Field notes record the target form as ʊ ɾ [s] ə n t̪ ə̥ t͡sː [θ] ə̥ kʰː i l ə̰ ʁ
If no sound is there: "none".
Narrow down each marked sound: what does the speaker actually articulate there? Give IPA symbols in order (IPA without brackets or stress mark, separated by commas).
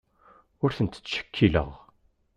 θ, ʃ